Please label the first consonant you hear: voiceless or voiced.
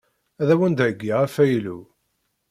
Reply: voiced